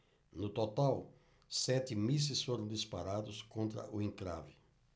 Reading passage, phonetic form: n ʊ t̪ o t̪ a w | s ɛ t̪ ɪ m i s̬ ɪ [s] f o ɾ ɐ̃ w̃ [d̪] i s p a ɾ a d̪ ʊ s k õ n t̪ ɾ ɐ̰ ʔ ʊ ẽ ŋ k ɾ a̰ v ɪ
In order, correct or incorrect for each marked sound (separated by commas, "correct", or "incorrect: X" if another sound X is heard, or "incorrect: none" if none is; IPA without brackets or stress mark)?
correct, correct